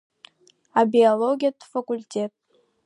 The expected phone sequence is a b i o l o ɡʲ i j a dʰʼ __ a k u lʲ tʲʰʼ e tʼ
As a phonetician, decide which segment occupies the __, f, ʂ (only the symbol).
f